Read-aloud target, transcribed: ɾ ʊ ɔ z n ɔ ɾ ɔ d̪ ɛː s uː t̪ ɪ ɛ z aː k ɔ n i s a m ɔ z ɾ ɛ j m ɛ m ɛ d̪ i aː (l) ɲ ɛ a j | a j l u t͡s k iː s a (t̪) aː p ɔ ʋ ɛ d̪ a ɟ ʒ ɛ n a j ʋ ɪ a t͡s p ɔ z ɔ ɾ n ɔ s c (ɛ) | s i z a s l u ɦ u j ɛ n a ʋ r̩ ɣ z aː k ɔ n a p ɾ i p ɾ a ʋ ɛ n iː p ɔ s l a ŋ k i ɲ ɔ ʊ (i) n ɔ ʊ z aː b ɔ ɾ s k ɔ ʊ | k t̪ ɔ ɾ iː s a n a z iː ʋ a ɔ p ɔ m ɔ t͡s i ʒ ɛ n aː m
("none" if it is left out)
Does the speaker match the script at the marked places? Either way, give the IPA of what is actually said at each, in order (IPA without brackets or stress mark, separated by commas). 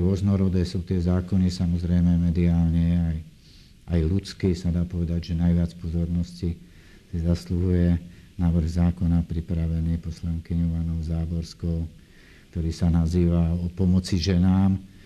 l, d̪, i, a